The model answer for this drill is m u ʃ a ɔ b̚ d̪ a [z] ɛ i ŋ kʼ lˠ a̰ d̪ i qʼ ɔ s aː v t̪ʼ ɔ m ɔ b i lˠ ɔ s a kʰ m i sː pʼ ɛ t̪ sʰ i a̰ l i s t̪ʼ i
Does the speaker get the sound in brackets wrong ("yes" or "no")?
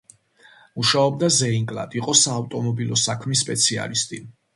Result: no